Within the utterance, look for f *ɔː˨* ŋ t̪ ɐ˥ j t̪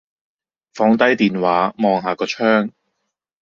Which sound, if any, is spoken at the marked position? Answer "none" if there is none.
ɔː˨˥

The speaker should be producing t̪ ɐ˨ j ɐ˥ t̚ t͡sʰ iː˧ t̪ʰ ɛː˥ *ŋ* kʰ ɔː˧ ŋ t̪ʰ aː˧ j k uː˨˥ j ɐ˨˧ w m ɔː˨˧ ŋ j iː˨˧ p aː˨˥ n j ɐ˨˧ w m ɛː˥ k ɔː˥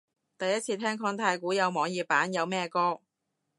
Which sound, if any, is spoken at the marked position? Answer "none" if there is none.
ŋ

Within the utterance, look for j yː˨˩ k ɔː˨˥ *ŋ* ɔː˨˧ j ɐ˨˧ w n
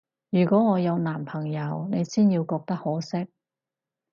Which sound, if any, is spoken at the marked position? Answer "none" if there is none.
ŋ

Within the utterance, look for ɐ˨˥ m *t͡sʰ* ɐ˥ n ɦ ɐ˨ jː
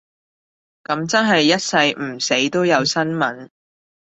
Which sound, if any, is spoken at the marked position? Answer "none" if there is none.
t͡s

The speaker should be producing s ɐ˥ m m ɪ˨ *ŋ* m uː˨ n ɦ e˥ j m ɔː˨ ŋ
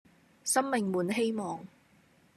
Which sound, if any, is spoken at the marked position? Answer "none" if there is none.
ŋ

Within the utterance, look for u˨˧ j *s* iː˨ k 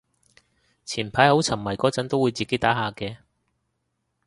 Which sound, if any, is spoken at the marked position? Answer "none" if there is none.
t͡s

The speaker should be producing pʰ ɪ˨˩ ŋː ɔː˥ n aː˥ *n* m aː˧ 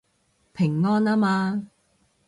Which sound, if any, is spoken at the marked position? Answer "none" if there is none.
none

